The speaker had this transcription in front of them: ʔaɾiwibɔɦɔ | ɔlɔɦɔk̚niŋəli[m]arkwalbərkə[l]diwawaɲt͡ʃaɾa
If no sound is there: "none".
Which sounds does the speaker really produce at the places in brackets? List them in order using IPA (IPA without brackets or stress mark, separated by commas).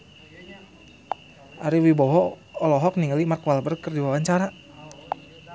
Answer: m, r